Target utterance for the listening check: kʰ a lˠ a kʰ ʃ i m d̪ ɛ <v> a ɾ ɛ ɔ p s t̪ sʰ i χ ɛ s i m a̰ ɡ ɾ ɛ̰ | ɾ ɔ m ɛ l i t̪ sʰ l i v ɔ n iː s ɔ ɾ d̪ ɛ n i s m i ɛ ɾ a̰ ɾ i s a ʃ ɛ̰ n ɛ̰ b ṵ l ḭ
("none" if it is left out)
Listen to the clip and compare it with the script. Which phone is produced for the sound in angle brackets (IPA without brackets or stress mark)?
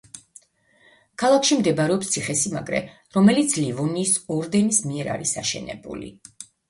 b